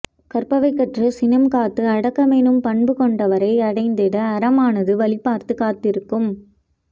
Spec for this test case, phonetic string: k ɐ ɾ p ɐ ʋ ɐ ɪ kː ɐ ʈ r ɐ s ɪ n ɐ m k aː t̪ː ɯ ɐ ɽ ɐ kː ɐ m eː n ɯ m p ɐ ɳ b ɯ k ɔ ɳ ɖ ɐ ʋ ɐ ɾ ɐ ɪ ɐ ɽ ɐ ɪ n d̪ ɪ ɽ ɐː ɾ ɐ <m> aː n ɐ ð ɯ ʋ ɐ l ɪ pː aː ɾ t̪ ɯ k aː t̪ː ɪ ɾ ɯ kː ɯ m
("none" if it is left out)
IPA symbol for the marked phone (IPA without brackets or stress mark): m